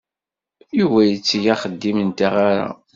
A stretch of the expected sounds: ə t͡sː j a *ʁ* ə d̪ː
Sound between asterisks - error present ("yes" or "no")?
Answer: yes